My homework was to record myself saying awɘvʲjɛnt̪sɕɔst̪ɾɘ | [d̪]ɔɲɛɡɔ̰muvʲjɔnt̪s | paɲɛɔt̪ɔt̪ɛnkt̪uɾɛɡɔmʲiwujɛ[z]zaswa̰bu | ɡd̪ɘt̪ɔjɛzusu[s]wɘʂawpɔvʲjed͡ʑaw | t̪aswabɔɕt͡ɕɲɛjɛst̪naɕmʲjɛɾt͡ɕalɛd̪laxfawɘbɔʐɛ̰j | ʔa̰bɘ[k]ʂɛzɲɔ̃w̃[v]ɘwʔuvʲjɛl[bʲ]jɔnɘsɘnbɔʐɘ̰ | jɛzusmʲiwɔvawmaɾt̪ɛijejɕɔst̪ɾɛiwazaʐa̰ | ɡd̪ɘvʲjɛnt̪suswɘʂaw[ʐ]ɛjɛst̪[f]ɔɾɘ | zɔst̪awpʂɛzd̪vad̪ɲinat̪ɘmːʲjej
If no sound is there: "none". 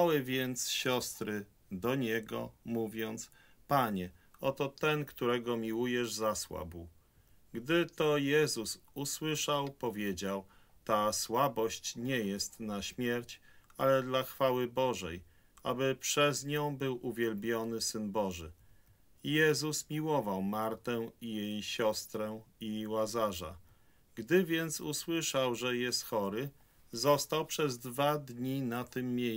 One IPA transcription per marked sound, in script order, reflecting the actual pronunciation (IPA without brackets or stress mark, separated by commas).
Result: d̪, ʐ, s, p, b, bʲ, ʐ, x